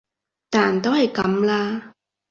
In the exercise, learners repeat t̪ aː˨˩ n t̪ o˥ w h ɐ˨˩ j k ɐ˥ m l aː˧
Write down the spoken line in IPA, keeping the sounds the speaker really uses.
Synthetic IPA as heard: t̪ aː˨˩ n t̪ o˥ w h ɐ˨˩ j k ɐ˨˥ m l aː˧